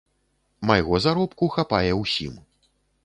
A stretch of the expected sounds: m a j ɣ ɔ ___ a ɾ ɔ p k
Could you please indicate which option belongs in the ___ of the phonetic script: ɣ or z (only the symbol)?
z